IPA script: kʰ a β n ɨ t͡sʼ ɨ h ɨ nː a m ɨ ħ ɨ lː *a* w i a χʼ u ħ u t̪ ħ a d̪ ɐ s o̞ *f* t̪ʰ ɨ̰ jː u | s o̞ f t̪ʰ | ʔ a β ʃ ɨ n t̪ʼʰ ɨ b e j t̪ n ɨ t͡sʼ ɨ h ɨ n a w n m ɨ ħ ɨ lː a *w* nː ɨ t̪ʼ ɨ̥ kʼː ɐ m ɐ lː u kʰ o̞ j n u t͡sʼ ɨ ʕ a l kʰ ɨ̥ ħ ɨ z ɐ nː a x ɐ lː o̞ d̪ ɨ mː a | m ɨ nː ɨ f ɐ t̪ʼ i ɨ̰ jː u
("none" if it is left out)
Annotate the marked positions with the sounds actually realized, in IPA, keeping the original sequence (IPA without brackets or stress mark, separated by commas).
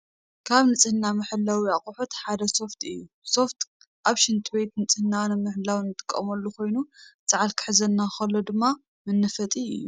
a, f, w